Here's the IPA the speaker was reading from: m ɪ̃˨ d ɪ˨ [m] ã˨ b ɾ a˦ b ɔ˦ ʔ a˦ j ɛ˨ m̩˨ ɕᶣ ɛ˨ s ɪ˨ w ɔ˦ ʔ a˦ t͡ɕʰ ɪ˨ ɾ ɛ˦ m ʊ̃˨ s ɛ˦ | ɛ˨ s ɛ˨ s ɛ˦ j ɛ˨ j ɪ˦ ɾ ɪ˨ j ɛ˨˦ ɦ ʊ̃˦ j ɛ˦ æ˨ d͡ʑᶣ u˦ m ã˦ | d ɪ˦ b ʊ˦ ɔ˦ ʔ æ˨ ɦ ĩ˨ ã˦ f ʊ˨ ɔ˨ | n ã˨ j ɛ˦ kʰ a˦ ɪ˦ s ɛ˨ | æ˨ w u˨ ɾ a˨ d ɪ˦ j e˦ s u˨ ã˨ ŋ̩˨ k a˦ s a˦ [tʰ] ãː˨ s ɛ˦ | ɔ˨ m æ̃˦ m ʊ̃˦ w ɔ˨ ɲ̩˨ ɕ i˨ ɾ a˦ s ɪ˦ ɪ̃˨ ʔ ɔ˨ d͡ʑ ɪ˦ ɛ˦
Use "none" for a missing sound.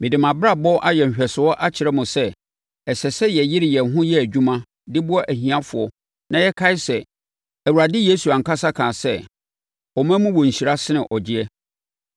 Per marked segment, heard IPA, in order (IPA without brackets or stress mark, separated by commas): m, kʰ